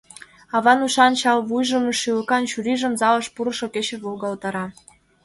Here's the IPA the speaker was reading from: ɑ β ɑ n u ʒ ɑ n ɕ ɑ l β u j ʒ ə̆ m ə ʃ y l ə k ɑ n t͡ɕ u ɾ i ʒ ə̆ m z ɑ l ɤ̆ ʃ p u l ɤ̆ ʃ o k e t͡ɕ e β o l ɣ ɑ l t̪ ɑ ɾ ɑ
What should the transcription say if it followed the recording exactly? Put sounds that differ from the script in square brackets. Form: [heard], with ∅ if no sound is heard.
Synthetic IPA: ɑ β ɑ n u [ʃ] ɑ n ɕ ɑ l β u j ʒ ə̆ m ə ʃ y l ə k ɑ n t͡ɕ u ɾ i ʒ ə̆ m z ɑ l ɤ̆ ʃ p u [ɾ] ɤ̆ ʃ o k e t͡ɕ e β o l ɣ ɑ l t̪ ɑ ɾ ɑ